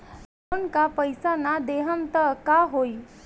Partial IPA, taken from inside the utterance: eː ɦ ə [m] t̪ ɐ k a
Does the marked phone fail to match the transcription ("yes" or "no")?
no